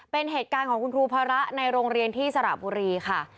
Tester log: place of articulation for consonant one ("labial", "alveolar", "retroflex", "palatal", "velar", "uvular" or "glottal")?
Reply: labial